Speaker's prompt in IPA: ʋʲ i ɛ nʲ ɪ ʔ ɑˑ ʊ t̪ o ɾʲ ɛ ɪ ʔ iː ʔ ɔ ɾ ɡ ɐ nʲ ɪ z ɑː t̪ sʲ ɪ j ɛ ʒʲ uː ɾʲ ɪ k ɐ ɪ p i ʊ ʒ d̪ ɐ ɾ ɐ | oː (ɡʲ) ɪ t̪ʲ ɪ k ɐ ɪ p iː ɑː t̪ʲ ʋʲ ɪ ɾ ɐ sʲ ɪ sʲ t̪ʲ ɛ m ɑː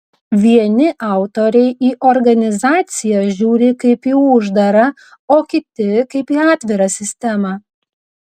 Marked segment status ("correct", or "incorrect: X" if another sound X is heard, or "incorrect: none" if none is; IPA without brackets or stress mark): incorrect: kʲ